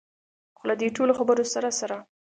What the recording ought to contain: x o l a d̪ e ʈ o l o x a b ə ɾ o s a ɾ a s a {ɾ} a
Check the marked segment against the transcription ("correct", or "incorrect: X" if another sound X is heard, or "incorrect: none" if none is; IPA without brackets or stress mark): correct